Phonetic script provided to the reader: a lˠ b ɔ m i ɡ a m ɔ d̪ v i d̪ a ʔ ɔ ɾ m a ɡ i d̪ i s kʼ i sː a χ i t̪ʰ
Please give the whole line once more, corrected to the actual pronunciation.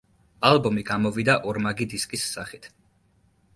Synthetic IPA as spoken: a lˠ b ɔ m i ɡ a m ɔ v i d̪ a ʔ ɔ ɾ m a ɡ i d̪ i s kʼ i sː a χ i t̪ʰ